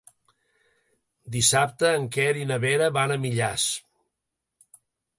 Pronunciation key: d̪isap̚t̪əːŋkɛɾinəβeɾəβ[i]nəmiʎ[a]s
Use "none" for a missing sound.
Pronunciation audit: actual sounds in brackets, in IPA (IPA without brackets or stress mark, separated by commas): a, a